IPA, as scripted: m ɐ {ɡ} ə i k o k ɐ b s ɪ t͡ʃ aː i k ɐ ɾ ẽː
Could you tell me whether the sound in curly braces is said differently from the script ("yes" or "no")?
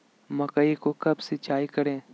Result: yes